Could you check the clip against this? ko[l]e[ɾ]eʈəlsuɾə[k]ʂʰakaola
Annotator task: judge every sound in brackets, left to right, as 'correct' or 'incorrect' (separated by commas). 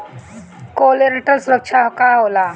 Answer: correct, correct, correct